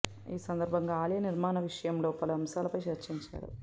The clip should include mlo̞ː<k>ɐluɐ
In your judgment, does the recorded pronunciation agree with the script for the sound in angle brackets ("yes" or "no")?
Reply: no